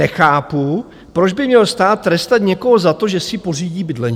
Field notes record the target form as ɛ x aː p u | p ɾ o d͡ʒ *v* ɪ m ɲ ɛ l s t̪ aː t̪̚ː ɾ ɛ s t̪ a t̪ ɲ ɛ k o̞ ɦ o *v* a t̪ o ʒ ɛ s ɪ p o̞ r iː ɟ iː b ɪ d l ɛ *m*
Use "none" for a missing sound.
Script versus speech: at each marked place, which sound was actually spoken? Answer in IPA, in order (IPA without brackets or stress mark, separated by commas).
b, z, ɲ